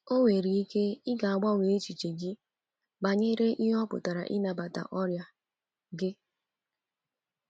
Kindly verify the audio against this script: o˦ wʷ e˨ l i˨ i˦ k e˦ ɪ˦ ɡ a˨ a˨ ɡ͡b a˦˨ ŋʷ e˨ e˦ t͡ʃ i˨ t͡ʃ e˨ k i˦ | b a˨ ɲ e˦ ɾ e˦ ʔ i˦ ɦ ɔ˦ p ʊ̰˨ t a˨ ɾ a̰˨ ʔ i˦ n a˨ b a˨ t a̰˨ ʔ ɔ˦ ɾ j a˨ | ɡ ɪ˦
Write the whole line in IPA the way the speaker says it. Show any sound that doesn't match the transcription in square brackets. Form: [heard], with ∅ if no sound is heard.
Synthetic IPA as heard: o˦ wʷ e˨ [ɾ] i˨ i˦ k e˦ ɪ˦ ɡ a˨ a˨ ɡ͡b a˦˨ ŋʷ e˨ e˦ t͡ʃ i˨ t͡ʃ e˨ [ɡ] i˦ | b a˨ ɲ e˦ ɾ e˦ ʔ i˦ ɦ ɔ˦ p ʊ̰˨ t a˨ ɾ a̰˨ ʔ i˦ n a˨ b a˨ t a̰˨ ʔ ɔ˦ ɾ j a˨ | ɡ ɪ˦